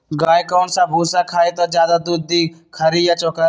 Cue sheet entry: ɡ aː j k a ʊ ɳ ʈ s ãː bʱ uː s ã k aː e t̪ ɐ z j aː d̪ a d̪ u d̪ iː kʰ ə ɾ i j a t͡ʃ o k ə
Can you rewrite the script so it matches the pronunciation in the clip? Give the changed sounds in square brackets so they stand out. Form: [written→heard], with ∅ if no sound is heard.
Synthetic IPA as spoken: ɡ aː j k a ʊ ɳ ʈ s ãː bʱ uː s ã [k→kʰ] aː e t̪ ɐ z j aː d̪ a d̪ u d̪ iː kʰ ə ɾ i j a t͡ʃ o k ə